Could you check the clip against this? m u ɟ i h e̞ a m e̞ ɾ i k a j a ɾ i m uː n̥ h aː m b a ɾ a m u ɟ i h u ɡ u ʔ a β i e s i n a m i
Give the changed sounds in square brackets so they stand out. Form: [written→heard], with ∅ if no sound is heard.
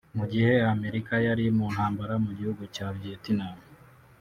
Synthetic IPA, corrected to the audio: m u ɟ i h e̞ a m e̞ ɾ i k a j a ɾ i m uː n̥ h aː m b a ɾ a m u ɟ i h u ɡ u [ʔ→c] a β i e [s→t] i n a m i